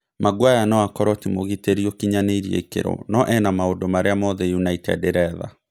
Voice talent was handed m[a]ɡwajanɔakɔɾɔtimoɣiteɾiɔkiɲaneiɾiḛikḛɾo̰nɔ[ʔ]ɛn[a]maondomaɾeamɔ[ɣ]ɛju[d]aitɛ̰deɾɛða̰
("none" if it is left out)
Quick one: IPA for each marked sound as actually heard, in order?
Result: a, ʔ, a, ð, n

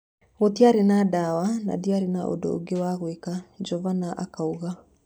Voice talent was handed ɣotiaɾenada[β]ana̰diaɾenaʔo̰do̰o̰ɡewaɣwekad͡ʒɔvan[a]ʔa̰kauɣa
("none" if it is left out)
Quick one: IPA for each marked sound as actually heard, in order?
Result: w, a

